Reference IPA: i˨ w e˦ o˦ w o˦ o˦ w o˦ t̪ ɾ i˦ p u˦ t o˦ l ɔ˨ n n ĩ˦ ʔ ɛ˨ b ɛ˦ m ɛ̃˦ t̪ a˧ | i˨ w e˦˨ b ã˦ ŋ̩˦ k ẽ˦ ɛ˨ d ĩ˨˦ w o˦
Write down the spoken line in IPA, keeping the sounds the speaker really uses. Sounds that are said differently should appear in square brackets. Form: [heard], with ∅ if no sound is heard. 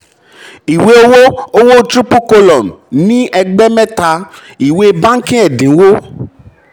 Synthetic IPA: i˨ w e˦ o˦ w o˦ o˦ w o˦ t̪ ɾ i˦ p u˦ [k] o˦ l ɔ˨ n n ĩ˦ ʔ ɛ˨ [ɡ͡b] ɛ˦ m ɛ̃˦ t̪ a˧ | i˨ w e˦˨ b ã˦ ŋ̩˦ k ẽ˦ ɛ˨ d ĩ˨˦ w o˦